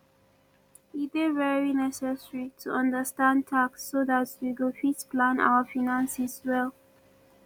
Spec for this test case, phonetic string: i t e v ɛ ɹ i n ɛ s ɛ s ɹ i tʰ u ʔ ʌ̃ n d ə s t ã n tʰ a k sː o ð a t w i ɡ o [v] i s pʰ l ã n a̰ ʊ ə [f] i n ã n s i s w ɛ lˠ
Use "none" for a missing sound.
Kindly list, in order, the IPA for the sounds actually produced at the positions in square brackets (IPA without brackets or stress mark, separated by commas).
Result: f, f